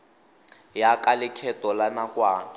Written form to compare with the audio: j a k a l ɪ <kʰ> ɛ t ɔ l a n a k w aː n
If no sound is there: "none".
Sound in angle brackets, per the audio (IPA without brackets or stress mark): kʰ